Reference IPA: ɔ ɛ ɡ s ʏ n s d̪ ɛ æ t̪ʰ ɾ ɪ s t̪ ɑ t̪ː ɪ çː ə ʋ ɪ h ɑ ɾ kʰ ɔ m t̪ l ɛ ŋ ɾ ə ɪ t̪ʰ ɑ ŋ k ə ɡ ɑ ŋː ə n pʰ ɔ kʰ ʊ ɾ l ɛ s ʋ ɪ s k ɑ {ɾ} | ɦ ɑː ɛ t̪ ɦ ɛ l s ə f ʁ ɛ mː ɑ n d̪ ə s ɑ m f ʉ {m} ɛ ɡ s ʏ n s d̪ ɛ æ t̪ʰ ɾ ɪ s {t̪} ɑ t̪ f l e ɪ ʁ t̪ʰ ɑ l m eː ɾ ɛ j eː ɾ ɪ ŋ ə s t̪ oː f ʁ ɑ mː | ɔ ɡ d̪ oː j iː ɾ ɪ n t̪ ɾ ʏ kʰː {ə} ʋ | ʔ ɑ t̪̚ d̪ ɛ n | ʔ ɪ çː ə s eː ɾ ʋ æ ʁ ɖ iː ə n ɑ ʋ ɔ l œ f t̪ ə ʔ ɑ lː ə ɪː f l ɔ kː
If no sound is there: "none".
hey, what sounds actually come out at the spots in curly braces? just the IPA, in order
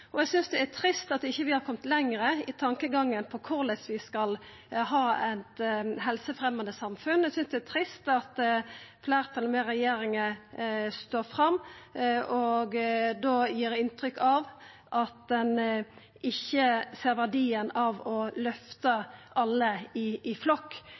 l, n, t̪, ɑ

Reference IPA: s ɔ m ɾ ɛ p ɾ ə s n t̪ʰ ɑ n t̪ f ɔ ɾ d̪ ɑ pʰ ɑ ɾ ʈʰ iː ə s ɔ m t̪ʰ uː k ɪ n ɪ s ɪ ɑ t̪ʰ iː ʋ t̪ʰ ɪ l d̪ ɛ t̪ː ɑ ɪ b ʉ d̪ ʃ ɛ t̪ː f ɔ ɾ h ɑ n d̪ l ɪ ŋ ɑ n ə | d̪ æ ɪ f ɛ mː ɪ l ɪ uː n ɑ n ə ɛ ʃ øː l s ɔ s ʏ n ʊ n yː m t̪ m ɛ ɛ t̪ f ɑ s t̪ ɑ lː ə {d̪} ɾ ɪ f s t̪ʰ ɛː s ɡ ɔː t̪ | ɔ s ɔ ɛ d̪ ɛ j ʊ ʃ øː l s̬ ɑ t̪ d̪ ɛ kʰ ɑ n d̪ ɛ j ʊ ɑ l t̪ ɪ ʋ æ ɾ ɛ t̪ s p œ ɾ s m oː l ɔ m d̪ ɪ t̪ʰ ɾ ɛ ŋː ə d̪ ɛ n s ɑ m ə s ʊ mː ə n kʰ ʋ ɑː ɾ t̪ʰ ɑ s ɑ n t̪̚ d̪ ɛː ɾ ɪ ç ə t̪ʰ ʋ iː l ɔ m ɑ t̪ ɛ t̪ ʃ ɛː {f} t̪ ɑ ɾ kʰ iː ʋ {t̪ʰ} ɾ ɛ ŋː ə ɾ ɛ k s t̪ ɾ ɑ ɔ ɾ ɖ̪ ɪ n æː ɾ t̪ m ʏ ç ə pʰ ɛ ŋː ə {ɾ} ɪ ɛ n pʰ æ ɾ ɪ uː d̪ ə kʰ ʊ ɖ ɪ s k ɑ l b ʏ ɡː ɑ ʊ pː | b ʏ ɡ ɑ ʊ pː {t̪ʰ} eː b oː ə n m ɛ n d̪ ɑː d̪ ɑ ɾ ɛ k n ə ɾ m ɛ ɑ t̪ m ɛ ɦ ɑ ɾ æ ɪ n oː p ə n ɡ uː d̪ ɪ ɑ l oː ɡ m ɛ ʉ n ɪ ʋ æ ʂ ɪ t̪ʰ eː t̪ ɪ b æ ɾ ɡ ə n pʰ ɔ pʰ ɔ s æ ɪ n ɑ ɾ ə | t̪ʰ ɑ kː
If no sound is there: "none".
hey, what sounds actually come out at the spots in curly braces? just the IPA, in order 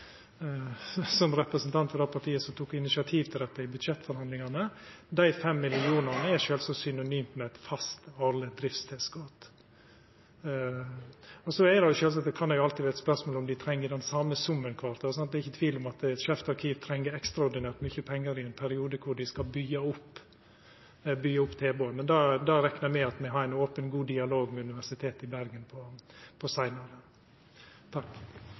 d̪, f, t̪ʰ, ɾ, t̪ʰ

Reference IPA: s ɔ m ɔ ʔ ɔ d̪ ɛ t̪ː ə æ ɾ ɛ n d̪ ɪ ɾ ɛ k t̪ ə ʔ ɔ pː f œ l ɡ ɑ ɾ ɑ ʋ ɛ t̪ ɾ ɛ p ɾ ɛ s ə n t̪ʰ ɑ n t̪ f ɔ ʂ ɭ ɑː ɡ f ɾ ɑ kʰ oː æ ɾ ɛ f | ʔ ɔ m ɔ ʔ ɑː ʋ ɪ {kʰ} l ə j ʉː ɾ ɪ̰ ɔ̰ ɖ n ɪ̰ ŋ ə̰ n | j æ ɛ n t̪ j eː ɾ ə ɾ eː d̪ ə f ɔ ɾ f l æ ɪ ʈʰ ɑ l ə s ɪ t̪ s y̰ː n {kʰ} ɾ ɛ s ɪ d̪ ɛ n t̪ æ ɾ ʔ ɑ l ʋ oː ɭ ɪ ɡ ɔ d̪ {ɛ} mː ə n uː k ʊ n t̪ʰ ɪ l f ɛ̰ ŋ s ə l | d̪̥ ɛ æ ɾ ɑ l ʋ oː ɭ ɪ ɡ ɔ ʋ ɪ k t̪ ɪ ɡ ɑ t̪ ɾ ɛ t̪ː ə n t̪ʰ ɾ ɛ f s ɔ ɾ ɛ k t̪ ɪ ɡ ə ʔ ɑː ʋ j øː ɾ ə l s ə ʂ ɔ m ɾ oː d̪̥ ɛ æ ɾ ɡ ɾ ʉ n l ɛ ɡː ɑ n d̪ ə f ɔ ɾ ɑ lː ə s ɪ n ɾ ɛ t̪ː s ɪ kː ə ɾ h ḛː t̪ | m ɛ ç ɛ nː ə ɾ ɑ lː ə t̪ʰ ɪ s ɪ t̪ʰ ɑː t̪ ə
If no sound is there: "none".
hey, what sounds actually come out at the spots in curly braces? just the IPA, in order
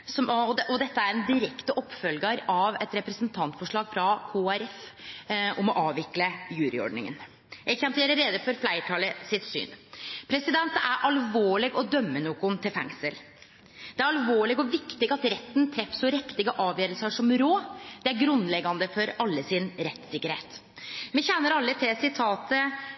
k, pʰ, œ

